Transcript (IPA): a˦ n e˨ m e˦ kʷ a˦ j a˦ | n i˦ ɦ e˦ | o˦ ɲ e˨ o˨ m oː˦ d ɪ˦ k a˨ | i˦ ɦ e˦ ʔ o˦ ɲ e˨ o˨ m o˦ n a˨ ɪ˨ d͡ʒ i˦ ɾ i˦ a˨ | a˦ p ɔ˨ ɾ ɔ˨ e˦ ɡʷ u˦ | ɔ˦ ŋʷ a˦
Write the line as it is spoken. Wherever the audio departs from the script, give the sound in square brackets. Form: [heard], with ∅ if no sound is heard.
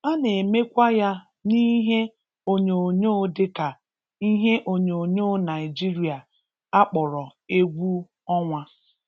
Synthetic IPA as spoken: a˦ n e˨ m e˦ kʷ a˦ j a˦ | n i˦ ɦ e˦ | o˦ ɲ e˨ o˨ [ɲ] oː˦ d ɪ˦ k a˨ | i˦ ɦ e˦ ʔ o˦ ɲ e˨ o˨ [ɲ] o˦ n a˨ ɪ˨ d͡ʒ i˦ ɾ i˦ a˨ | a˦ [k͡p] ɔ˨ ɾ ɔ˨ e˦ ɡʷ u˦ | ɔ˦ ŋʷ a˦